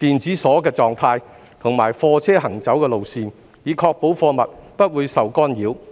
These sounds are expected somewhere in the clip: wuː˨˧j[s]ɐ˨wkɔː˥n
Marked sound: correct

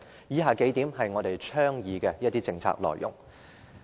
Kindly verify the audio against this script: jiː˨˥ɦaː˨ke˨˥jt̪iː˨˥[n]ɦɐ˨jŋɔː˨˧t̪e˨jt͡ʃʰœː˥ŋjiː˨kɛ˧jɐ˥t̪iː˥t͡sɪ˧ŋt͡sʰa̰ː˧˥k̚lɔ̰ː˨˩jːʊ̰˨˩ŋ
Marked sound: incorrect: m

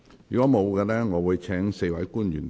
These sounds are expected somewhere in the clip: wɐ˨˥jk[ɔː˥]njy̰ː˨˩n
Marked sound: incorrect: uː˥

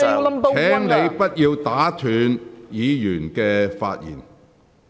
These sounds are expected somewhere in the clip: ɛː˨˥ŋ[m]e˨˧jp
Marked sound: incorrect: n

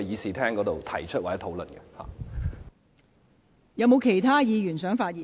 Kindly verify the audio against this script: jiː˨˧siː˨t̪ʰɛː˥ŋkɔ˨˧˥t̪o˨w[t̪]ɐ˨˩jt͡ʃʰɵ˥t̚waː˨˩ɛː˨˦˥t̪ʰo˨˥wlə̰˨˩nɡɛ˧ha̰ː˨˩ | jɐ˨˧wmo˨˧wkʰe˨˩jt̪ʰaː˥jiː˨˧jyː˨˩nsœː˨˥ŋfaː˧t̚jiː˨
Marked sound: incorrect: t̪ʰ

